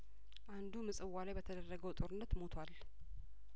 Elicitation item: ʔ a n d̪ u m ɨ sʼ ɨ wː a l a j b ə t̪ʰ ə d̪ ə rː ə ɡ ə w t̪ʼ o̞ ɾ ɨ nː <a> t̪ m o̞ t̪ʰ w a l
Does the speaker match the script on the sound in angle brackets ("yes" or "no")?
no